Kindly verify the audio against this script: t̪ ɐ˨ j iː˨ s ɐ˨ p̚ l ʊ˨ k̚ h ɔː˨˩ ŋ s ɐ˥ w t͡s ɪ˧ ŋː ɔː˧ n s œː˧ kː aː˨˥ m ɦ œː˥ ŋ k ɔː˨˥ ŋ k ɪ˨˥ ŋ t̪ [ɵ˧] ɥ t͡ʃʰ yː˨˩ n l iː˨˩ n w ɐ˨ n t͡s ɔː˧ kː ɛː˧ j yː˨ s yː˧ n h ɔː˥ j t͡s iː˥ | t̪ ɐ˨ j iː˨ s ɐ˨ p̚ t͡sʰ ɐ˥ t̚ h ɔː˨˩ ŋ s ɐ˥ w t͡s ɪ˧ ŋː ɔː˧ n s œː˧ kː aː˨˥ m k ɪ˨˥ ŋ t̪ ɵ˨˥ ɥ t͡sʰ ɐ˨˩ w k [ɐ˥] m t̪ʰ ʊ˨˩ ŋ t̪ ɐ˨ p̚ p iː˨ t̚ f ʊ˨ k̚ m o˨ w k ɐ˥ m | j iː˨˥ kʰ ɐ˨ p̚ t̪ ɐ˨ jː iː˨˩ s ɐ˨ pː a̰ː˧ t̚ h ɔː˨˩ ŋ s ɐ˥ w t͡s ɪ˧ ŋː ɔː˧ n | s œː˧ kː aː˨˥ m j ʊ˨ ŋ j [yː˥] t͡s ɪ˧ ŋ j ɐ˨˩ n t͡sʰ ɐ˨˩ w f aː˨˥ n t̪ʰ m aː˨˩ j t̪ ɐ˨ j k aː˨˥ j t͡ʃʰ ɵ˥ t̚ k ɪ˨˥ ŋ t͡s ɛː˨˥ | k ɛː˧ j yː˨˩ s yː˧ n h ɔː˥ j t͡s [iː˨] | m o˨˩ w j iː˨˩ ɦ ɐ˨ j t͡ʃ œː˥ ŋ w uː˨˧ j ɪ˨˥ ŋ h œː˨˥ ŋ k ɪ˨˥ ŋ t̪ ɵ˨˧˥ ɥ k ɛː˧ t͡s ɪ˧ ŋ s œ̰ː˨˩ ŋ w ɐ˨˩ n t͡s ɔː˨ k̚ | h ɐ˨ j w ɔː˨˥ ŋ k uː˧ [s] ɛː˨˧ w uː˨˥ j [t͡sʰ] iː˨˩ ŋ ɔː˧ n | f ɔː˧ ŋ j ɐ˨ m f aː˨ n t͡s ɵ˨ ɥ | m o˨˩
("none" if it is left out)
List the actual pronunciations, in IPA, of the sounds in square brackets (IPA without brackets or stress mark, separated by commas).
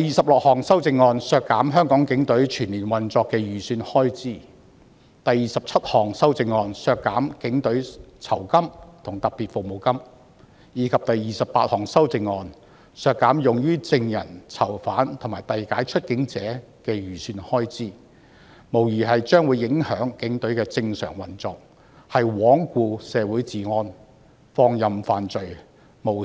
ɵ˨˥, ɐ˥, yː˥, iː˥, s, t͡s